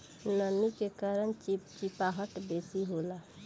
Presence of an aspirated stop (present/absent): absent